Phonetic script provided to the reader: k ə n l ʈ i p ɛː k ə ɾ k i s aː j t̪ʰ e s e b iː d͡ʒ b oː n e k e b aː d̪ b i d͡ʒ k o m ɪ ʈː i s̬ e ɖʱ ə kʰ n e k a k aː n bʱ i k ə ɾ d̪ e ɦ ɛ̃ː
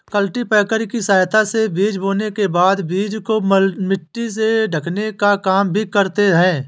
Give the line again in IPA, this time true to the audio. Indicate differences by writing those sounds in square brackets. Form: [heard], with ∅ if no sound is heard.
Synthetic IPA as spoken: k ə [∅] l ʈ i p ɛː k ə ɾ k i s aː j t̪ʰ [a] s e b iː d͡ʒ b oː n e k e b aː d̪ b [iː] d͡ʒ k o m ɪ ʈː i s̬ e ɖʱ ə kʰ n e k a k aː [m] bʱ i k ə ɾ [t̪] e ɦ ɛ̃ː